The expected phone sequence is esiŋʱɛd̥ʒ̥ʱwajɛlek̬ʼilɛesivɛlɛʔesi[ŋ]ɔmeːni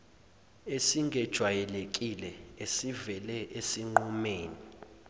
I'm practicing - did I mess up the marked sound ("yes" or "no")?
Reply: yes